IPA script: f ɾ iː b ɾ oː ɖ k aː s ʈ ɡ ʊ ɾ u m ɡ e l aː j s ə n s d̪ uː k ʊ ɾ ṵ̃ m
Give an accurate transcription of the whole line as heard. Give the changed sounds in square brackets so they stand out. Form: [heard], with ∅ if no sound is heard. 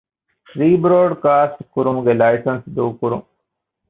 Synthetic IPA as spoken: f ɾ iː b ɾ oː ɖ k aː s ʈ [k] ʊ ɾ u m ɡ e l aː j s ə n s d̪ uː k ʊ ɾ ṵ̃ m

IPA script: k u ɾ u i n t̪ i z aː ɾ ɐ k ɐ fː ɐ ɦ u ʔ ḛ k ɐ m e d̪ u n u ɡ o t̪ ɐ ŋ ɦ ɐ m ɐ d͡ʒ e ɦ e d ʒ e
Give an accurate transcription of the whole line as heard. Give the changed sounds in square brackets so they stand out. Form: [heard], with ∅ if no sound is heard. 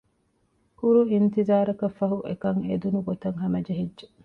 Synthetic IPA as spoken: k u ɾ u i n t̪ i z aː ɾ ɐ k ɐ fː ɐ ɦ u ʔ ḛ k ɐ [ŋ] e d̪ u n u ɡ o t̪ ɐ ŋ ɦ ɐ m ɐ d͡ʒ e ɦ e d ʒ e

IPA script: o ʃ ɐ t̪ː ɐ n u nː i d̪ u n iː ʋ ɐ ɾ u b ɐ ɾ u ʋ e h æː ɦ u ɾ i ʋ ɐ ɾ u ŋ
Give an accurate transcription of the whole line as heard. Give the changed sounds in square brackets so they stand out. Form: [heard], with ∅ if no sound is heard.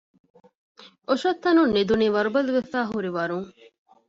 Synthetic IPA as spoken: o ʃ ɐ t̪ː ɐ n u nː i d̪ u n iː ʋ ɐ ɾ u b ɐ [l] u ʋ e [f] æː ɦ u ɾ i ʋ ɐ ɾ u ŋ

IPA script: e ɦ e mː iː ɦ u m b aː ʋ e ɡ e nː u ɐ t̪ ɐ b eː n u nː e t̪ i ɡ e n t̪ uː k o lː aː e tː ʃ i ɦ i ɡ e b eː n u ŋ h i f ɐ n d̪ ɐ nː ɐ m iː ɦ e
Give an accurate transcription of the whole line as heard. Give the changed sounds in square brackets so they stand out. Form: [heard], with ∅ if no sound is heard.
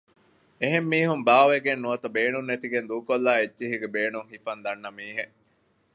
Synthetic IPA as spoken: e ɦ e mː iː ɦ u m b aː ʋ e ɡ e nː u ɐ t̪ ɐ b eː n u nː e t̪ i ɡ e n [d̪] uː k o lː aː e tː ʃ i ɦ i ɡ e b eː n u ŋ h i f ɐ n d̪ ɐ nː ɐ m iː ɦ e

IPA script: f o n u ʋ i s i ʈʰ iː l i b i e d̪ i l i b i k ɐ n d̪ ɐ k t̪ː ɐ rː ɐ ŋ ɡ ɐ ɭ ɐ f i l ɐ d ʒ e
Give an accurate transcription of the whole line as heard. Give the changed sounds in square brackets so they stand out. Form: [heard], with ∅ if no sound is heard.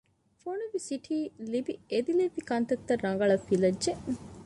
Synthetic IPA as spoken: f o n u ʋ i s i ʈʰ iː l i b i e d̪ i l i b i k ɐ n [t̪] ɐ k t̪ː ɐ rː ɐ ŋ ɡ ɐ ɭ ɐ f i l ɐ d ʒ e

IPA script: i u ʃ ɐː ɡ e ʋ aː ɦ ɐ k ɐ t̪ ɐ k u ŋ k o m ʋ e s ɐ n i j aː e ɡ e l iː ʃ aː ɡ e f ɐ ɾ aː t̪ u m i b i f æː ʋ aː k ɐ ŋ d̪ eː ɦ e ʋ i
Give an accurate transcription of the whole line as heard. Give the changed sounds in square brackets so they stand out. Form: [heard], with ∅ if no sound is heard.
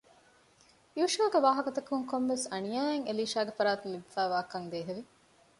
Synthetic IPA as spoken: i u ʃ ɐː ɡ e ʋ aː ɦ ɐ k ɐ t̪ ɐ k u ŋ k o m ʋ e s ɐ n i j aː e [ŋ] e l iː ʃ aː ɡ e f ɐ ɾ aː t̪ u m i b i f æː ʋ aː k ɐ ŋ d̪ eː ɦ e ʋ i

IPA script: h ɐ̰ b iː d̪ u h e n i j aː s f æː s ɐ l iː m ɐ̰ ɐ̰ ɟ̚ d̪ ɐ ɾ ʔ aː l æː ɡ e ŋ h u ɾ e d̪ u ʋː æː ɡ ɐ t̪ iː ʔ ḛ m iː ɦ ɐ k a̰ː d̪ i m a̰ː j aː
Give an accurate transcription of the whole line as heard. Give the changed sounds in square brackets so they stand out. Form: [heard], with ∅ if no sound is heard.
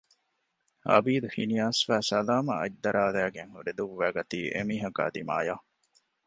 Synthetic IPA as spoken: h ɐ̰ b iː d̪ u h [i] n i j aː s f æː s ɐ l [aː] m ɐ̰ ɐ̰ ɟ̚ d̪ ɐ ɾ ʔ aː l æː ɡ e ŋ h u ɾ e d̪ u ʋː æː ɡ ɐ t̪ iː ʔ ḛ m iː ɦ ɐ k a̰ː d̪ i m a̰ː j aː

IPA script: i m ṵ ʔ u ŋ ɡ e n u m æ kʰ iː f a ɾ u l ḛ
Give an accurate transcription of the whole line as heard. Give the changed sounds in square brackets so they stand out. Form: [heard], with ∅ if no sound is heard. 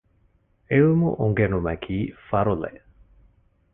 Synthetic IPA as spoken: [e] m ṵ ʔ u ŋ ɡ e n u m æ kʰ iː f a ɾ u l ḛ

